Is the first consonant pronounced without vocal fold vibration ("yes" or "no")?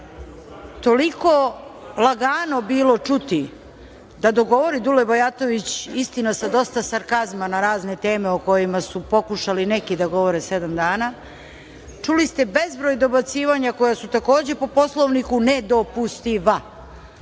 yes